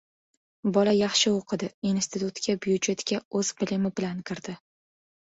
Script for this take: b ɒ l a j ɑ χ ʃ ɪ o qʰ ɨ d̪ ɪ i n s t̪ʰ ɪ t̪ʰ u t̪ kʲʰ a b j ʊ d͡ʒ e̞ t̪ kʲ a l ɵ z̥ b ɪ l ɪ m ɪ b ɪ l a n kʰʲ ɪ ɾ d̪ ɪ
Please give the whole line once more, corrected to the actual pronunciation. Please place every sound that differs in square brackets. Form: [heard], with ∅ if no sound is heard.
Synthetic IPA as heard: b ɒ l a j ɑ χ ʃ ɪ o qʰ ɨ d̪ ɪ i n s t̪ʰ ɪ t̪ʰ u t̪ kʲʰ a b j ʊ d͡ʒ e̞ t̪ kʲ a [∅] ɵ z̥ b ɪ l ɪ m ɪ b ɪ l a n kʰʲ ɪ ɾ d̪ ɪ